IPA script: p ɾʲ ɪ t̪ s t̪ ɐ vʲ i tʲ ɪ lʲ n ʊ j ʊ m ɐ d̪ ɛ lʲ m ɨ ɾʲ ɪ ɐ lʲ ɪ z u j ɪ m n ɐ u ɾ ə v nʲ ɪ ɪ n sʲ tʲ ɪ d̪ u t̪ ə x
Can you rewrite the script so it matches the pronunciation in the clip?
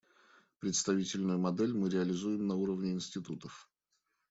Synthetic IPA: p ɾʲ ɪ t̪ s t̪ ɐ vʲ i tʲ ɪ lʲ n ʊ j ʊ m ɐ d̪ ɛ lʲ m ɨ ɾʲ ɪ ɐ lʲ ɪ z u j ɪ m n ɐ u ɾ ə v nʲ ɪ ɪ n sʲ tʲ ɪ t̪ u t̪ ə f